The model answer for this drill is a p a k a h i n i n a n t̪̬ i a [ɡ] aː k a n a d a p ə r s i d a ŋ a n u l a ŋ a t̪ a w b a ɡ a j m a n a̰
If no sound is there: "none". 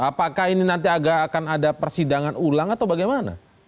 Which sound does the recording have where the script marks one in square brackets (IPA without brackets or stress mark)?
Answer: ɡ